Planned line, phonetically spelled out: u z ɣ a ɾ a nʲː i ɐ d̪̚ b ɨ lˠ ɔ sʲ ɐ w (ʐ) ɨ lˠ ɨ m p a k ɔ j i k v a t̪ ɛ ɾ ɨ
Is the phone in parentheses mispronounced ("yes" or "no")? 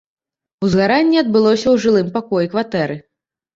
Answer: no